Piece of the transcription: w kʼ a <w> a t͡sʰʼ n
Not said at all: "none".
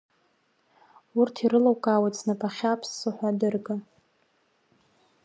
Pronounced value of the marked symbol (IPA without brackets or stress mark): w